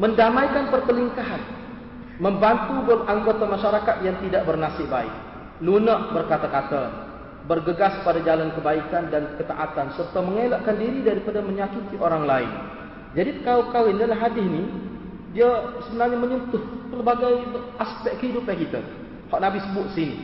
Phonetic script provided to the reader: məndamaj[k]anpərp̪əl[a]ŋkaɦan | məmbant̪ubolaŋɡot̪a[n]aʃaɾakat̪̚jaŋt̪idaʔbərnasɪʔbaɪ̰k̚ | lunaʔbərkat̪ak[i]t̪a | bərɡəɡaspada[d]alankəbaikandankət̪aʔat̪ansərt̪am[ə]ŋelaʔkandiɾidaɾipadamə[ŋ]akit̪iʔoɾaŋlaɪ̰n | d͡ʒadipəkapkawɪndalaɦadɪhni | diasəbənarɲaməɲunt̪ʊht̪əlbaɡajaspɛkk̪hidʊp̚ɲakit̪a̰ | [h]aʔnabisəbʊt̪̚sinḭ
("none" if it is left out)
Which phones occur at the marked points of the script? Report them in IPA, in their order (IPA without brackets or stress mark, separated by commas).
k, i, m, a, d͡ʒ, ə, ɲ, h